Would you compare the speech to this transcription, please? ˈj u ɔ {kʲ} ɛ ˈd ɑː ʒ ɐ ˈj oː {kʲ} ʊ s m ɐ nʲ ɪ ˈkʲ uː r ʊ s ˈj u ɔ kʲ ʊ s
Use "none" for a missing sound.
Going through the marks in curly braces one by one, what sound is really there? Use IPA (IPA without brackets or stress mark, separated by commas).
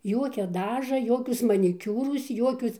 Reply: kʲ, kʲ